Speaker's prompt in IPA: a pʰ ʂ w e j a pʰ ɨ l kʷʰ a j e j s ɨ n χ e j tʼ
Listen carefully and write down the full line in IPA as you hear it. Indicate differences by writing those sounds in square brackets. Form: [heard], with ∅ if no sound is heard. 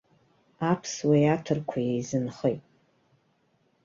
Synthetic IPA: a pʰ [s] w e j a [tʰ] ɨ [r] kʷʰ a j e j [z] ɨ n χ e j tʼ